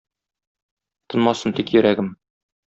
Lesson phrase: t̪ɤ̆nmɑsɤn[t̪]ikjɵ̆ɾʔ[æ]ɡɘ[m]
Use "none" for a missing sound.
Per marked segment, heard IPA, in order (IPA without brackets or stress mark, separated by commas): t̪, æ, m